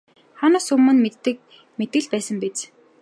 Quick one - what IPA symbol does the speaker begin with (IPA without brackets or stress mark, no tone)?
χ